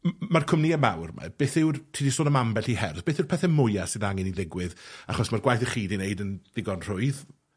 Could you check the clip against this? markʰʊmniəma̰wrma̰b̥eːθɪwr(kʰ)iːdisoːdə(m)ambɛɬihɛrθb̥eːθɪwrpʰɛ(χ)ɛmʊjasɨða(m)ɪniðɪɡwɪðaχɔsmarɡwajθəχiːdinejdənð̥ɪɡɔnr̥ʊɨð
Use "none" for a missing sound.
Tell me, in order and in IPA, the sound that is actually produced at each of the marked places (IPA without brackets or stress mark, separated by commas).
tʰ, m, θ, ŋ